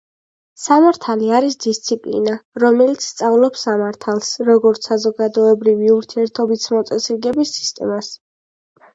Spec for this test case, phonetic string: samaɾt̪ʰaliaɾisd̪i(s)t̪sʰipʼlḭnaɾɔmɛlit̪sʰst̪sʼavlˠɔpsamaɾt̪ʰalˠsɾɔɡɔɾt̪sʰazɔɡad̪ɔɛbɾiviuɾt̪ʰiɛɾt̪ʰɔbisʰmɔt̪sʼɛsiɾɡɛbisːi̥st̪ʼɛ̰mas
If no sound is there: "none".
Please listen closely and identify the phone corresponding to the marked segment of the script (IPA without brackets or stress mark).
s